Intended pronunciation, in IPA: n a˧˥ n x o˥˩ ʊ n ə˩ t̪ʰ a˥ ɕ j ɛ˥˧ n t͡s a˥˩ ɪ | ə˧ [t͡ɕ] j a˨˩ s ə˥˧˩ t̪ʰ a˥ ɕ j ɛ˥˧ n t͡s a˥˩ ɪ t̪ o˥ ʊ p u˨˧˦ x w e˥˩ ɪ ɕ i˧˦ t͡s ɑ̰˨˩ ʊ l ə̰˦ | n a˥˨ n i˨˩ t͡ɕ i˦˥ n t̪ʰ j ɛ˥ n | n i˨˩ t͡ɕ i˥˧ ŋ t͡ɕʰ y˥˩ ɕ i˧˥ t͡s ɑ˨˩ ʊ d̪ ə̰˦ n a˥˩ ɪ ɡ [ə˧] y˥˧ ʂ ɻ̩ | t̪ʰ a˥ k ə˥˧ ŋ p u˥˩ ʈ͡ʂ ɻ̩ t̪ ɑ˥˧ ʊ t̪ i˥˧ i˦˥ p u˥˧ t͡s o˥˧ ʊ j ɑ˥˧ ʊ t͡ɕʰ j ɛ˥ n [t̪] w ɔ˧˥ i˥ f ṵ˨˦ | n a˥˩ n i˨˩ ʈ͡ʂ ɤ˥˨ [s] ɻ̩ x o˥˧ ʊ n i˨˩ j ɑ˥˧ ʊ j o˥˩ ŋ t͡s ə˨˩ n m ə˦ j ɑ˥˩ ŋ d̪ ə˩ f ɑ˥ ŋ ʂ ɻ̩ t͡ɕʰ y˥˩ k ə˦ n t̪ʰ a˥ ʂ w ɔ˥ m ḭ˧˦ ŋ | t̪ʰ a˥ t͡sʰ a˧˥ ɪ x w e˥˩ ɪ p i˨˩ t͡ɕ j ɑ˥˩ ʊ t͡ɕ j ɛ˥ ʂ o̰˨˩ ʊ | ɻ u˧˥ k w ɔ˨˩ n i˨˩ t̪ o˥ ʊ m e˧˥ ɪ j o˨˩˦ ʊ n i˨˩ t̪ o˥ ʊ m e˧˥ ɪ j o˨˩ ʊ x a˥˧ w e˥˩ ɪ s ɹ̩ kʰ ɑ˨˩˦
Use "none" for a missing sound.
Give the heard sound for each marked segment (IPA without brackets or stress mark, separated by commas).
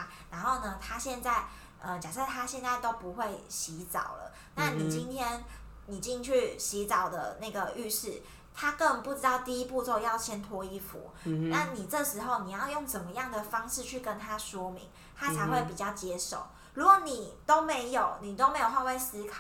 t͡ɕ, ə˩, t̪ʰ, ʂ